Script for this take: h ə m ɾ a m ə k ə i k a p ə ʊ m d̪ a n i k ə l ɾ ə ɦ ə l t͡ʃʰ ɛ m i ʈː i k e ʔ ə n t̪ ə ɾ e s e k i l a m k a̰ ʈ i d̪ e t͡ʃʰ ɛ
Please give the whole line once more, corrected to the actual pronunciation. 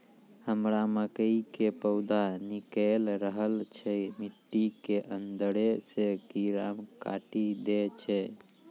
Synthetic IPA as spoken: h ə m ɾ a m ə k ə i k e p ə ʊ d̪ a n i k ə l ɾ ə ɦ ə l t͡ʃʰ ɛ m i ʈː i k e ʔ ə n d̪ ə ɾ e s e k i ɾ a m k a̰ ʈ i d̪ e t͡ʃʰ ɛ